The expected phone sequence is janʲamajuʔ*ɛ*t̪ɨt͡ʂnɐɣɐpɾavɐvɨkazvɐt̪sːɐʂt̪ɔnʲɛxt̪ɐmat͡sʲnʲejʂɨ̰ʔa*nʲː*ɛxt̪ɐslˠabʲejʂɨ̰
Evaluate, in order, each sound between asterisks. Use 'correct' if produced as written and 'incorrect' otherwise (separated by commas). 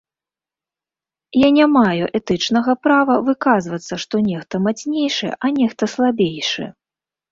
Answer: correct, incorrect